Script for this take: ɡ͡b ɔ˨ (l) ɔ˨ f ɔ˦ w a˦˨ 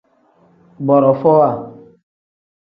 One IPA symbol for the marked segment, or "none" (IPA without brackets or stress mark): ɾ